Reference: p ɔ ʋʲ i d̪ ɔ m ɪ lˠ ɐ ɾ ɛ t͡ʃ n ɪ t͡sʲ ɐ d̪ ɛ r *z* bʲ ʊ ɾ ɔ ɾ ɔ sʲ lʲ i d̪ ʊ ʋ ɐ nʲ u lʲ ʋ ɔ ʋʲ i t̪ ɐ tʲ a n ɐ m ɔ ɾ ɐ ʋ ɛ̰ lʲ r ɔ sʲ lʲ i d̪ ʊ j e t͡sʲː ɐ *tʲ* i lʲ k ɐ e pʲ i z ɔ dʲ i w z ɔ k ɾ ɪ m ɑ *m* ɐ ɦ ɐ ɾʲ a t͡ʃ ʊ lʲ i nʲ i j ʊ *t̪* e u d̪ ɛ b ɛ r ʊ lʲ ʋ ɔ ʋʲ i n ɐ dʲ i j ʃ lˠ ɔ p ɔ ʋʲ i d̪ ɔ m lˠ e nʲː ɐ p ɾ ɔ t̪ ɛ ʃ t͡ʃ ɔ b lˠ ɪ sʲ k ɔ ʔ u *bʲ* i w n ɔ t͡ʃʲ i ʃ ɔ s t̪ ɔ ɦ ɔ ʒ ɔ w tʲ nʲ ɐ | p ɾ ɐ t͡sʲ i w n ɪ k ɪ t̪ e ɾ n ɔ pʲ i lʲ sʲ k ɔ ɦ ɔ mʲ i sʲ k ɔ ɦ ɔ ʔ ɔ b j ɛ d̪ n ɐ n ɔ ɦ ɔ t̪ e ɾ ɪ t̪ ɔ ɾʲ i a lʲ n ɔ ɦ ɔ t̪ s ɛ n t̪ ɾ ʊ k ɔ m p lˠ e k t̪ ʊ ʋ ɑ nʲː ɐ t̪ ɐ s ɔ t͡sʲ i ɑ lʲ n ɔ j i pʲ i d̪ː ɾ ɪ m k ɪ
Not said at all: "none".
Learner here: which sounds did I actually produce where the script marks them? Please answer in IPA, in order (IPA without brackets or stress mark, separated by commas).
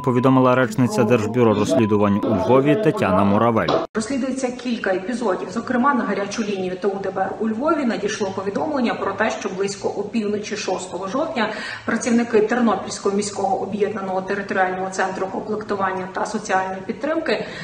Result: ʒ, kʲ, n, t̪, pʲ